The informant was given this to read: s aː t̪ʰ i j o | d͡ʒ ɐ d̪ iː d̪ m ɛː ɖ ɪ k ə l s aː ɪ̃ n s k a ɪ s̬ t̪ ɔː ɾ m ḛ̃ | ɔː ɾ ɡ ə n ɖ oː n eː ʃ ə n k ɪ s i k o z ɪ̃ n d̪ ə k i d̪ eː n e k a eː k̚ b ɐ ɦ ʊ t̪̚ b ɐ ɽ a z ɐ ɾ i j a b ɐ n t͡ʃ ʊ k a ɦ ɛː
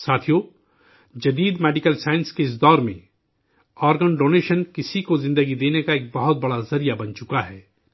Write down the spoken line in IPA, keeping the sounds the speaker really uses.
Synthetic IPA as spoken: s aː t̪ʰ i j o | d͡ʒ ɐ d̪ iː d̪ m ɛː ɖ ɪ k ə l s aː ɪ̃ n s k e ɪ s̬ d̪ ɔː ɾ m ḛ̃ | ɔː ɾ ɡ ə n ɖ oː n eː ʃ ə n k ɪ s i k o z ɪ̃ n d̪ ə ɡ i d̪ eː n e k a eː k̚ b ɐ ɦ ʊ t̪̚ b ɐ ɽ a z ɐ ɾ i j a b ɐ n t͡ʃ ʊ k a ɦ ɛː

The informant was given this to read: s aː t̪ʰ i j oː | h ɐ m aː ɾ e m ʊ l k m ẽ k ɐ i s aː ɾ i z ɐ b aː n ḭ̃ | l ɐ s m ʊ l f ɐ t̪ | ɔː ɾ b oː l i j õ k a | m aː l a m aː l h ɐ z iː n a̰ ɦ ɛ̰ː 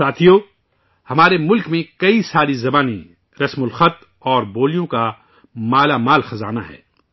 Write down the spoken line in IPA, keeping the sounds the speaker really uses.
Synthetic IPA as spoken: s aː t̪ʰ i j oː | h ɐ m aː ɾ e m ʊ l k m ẽ k ɐ i s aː ɾ i z ɐ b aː n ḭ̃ | ɾ ɐ s m ʊ l x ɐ t̪ | ɔː ɾ b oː l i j õ k a | m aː l a m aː l x ɐ z aː n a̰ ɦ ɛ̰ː

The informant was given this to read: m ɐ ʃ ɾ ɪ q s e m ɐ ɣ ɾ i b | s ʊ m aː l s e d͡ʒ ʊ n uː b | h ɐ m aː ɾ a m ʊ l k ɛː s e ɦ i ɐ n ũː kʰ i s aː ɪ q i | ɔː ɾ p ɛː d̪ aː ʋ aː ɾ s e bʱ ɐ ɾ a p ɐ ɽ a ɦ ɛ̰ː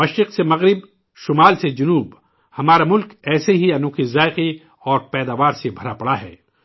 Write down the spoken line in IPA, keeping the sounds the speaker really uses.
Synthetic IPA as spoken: m ɐ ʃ ɾ ɪ q s e m ɐ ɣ ɾ ɪ b | ʃ ʊ m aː l s e d͡ʒ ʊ n uː b | h ɐ m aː ɾ a m ʊ l k ɛː s e ɦ i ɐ n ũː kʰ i z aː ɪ q i | ɔː ɾ p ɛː d̪ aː ʋ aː ɾ s e bʱ ɐ ɾ a p ɐ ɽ a ɦ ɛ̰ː

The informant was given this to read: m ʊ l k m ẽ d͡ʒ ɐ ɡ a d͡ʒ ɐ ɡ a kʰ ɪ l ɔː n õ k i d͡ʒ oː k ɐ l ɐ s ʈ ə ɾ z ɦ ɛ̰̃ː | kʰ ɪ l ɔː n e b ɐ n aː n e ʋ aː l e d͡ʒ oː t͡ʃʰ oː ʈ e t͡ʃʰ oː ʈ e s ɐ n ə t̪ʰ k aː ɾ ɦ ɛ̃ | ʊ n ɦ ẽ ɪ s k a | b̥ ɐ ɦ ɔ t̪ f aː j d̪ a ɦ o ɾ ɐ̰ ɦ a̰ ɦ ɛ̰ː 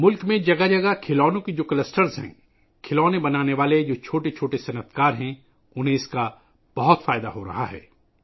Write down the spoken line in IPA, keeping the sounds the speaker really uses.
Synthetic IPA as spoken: m ʊ l k m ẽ d͡ʒ ɐ ɡ a d͡ʒ ɐ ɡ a kʰ ɪ l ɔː n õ k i d͡ʒ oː k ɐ l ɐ s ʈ ə ɾ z ɦ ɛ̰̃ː | kʰ ɪ l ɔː n e b ɐ n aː n e ʋ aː l e d͡ʒ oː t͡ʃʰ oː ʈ e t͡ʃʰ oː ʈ e s ɐ n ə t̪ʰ k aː ɾ ɦ ɛ̃ | ʊ n ɦ ẽ ɪ s k a | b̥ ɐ ɦ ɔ t̪ f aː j d̪ a ɦ o ɾ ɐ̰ ɦ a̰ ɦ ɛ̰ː

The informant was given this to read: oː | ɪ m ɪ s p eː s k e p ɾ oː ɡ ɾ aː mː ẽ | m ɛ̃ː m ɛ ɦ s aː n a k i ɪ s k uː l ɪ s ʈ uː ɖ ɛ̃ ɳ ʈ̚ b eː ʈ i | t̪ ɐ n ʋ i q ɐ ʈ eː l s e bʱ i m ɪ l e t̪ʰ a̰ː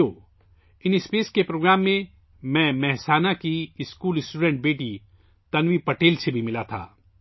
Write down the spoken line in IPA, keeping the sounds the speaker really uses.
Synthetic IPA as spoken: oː | ɪ n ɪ s p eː s k e p ɾ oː ɡ ɾ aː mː ẽ | m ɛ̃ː m ɛ ɦ s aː n a k i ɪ s k uː l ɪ s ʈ uː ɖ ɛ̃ ɳ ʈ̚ b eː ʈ i | t̪ ɐ n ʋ i p ɐ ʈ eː l s e bʱ i m ɪ l a t̪ʰ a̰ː

